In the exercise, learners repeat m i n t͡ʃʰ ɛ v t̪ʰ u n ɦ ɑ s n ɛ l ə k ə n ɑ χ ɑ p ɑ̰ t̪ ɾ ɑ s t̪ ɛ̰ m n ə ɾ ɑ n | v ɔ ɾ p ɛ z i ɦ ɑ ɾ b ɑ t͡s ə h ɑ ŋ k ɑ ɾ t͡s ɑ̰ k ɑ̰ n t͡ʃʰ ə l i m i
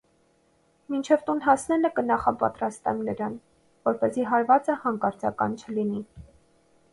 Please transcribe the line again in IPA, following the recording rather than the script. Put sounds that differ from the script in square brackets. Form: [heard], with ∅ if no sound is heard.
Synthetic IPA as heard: m i n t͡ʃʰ ɛ v [t̪] u n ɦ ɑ s n ɛ l ə k ə n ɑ χ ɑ p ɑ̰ t̪ ɾ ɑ s t̪ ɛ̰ m n ə ɾ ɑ n | v ɔ ɾ p ɛ z i ɦ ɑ ɾ [v] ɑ t͡s ə h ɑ ŋ k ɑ ɾ t͡s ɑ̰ k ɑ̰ n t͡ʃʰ ə l i [n] i